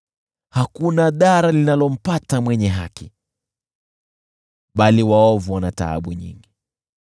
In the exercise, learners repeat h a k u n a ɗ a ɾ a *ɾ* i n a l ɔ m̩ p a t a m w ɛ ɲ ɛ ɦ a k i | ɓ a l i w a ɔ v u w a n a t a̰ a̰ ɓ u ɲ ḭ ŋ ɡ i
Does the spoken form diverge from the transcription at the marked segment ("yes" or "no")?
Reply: yes